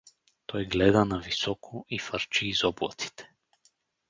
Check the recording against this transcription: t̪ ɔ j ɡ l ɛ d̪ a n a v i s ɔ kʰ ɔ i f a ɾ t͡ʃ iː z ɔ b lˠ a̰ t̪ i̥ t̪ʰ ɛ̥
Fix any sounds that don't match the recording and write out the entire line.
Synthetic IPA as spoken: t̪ ɔ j ɡ l ɛ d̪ a n a v i s ɔ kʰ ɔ i f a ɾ t͡ʃ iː z ɔ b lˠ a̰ t̪ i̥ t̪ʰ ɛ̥